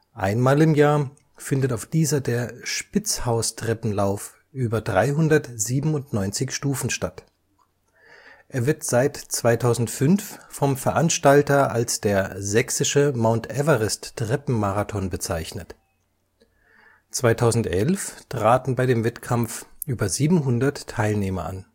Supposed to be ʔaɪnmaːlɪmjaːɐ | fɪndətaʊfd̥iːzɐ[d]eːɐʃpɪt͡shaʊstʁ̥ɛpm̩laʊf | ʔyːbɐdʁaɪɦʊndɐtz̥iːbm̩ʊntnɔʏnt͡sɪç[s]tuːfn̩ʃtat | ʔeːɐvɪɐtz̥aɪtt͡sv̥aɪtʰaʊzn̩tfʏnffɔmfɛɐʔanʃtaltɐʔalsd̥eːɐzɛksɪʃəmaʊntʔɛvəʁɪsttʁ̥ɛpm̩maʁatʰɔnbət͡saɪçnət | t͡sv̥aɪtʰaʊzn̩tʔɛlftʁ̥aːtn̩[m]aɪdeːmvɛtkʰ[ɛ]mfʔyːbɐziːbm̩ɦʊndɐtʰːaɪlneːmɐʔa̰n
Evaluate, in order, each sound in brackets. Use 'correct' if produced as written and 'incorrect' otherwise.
correct, incorrect: ʃ, incorrect: b, incorrect: a

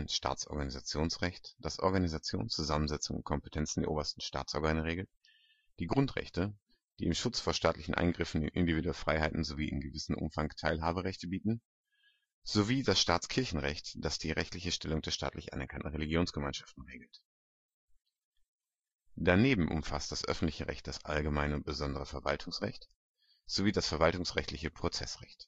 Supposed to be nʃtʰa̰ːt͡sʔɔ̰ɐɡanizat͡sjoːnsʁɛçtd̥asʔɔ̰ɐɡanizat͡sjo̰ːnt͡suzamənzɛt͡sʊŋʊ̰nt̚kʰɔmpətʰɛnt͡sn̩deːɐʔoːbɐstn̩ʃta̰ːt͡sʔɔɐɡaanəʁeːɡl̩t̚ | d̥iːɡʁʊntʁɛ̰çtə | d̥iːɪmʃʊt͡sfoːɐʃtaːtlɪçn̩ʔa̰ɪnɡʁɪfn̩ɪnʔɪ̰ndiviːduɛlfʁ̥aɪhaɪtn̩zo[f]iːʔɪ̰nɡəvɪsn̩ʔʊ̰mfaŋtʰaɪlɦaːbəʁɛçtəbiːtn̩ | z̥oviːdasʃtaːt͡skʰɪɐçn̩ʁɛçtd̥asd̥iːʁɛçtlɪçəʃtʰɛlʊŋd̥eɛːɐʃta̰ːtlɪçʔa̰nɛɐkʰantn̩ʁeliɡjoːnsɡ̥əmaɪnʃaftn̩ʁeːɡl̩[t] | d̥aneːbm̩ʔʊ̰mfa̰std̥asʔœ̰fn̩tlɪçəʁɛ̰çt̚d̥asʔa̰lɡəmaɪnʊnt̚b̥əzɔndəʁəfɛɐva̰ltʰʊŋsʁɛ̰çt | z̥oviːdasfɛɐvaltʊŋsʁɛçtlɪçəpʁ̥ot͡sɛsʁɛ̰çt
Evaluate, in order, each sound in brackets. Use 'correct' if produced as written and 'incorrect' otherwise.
incorrect: v, correct

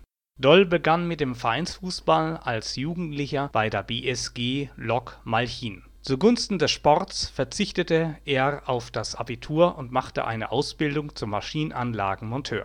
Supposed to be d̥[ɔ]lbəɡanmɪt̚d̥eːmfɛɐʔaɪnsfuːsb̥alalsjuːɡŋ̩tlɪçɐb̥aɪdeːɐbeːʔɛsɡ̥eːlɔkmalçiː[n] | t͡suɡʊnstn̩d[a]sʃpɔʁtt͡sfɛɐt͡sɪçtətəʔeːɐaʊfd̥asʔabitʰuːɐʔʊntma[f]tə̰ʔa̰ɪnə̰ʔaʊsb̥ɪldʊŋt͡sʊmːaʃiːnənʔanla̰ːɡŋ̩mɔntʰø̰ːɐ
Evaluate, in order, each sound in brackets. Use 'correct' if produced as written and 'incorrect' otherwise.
correct, correct, incorrect: ɛ, incorrect: χ

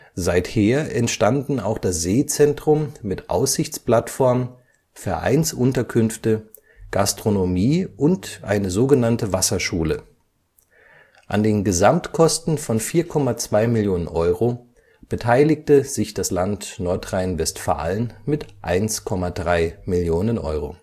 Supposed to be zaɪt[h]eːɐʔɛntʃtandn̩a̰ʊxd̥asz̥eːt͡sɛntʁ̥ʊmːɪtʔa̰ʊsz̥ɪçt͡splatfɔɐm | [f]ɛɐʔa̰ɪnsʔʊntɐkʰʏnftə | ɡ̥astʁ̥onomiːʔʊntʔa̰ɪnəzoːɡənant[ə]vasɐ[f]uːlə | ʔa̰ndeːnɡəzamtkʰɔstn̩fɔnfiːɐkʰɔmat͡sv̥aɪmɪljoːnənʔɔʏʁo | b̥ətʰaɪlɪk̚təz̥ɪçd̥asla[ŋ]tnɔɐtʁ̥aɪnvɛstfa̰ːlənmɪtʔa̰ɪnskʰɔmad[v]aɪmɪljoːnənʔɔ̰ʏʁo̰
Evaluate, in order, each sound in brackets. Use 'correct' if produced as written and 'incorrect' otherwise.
correct, correct, correct, incorrect: ʃ, incorrect: n, incorrect: ʁ

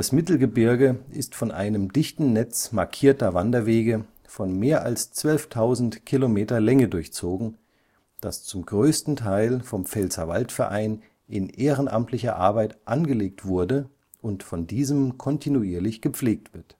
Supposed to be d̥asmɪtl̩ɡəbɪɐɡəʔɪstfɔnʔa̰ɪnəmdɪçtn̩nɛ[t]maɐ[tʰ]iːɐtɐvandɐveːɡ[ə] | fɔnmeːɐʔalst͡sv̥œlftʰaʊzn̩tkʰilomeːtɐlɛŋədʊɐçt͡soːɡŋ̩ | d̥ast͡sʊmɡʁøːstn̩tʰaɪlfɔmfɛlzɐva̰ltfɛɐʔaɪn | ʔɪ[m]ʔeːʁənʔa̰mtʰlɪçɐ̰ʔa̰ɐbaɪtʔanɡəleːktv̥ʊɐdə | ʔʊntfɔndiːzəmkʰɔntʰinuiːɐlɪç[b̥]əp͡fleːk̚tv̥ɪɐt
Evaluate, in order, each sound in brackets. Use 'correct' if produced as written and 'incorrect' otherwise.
incorrect: t͡s, incorrect: kʰ, correct, incorrect: n, incorrect: ɡ̥

